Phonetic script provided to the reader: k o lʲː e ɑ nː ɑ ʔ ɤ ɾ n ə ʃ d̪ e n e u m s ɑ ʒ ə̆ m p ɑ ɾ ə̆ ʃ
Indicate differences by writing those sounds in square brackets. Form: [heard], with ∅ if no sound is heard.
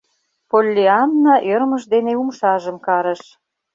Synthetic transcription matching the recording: [p] o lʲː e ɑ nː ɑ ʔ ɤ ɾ [m] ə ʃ d̪ e n e u m [ʃ] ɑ ʒ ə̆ m [k] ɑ ɾ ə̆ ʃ